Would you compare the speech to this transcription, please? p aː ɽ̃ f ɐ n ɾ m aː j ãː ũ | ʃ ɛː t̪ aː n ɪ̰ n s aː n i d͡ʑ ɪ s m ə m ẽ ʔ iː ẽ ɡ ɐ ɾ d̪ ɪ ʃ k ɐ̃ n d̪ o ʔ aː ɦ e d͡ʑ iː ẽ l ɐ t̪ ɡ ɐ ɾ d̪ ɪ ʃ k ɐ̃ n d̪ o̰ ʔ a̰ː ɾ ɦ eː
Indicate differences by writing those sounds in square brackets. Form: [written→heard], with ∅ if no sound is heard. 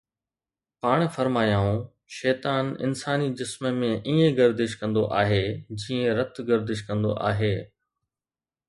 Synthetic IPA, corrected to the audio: p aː ɽ̃ f ɐ [n→∅] ɾ m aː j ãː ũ | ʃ ɛː t̪ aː n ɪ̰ n s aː n i d͡ʑ ɪ s m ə m ẽ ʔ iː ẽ ɡ ɐ ɾ d̪ ɪ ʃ k ɐ̃ n d̪ o ʔ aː ɦ e d͡ʑ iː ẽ [l→ɾ] ɐ t̪ ɡ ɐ ɾ d̪ ɪ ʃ k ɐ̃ n d̪ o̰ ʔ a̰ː [ɾ→∅] ɦ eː